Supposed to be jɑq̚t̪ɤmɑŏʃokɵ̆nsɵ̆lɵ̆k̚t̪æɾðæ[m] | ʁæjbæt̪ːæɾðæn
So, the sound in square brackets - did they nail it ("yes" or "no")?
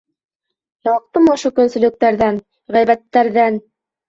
no